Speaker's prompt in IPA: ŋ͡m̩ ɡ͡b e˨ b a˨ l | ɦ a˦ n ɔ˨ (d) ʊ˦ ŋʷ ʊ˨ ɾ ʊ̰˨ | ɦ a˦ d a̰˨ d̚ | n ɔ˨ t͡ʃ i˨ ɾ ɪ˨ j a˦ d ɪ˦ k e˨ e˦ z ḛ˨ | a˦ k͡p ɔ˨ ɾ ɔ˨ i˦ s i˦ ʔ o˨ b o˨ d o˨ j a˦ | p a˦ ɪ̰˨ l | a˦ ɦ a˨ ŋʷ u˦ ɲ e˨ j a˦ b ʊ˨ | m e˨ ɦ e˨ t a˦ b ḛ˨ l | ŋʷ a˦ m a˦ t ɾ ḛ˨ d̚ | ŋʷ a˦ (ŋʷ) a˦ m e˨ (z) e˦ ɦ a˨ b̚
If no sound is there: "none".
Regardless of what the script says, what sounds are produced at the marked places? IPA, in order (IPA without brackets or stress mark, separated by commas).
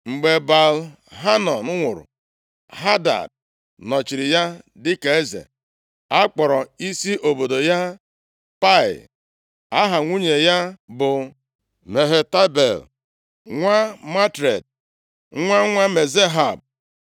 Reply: n, ŋʷ, z